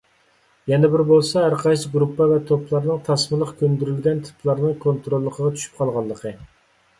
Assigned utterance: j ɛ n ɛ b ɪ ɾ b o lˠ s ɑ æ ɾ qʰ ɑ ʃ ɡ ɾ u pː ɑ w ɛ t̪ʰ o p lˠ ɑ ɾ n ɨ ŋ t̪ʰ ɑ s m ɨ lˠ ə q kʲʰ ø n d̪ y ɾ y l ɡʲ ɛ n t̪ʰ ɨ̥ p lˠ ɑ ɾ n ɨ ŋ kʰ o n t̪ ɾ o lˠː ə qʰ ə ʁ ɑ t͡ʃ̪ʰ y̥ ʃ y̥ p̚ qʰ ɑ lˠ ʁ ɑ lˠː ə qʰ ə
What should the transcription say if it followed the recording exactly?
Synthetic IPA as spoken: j ɛ n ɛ b ɪ ɾ b o lˠ s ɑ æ ɾ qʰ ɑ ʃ ɡ ɾ u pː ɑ v ɛ t̪ʰ o p lˠ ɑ ɾ n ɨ ŋ t̪ʰ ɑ s m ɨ lˠ ə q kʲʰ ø n d̪ y ɾ y l ɡʲ ɛ n t̪ʰ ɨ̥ p lˠ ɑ ɾ n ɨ ŋ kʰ o n t̪ ɾ o lˠː ə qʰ ə ʁ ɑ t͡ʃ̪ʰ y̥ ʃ y̥ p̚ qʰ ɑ lˠ ʁ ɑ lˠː ə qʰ ə

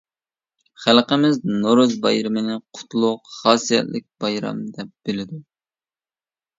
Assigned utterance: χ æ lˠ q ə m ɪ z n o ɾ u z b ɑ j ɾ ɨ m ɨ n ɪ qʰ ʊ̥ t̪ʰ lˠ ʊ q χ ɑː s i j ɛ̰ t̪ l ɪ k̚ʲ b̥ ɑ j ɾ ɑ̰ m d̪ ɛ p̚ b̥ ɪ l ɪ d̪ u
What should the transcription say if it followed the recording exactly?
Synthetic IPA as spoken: χ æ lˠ q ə m ɪ z n o ɾ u z b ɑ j ɾ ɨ m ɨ n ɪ qʰ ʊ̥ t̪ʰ lˠ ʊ q χ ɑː s i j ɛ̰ t̪ l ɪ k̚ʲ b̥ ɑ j ɾ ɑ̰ m d̪ ɛ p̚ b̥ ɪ l ɪ d̪ u

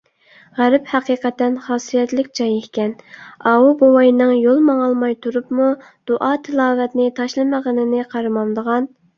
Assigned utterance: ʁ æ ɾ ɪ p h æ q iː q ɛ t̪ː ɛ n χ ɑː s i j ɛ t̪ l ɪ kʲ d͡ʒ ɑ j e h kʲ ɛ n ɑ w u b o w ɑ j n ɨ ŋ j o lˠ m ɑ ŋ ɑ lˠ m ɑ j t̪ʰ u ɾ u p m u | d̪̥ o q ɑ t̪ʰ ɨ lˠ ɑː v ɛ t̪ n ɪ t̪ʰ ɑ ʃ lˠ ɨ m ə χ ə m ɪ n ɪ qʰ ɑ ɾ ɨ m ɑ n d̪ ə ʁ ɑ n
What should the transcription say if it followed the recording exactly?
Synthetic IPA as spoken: ʁ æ ɾ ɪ p h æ q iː q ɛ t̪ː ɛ n χ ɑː s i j ɛ t̪ l ɪ kʲ d͡ʒ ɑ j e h kʲ ɛ n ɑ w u b o w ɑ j n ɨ ŋ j o lˠ m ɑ ŋ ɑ lˠ m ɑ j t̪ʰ u ɾ u p m u | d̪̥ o ʔ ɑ t̪ʰ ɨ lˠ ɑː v ɛ t̪ n ɪ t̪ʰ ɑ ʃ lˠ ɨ m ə ʁ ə n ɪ n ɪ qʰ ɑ ɾ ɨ m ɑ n d̪ ə ʁ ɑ n

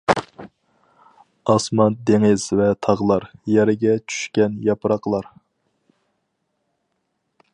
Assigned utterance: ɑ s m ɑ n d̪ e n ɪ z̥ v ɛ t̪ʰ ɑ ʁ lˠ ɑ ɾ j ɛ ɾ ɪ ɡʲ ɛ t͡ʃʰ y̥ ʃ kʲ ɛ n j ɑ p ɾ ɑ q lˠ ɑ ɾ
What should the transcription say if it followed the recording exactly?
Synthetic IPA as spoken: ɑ s m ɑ n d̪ e ŋ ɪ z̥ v ɛ t̪ʰ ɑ ʁ lˠ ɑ ɾ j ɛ ɾ ɪ ɡʲ ɛ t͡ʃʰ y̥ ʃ kʲ ɛ n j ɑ p ɾ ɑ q lˠ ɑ ɾ

